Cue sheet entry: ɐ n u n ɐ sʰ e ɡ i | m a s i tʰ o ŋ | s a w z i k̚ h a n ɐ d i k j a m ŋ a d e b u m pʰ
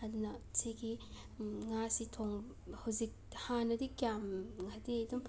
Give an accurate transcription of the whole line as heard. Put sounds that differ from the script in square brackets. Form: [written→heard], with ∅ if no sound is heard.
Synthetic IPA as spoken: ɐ [n→d] u n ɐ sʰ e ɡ i | [m→ŋ] a s i tʰ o ŋ | [s→h] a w z i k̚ h a n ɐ d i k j a m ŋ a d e [b→d] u m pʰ